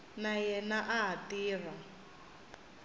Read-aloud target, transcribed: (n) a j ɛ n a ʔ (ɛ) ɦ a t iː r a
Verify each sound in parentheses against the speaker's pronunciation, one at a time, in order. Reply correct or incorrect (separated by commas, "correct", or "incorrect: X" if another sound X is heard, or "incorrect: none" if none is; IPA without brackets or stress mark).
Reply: correct, incorrect: a